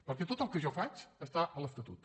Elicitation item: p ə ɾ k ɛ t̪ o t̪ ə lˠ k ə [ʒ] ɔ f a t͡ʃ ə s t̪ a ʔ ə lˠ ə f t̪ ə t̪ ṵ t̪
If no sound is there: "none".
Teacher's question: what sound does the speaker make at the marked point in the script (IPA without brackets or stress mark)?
ʒ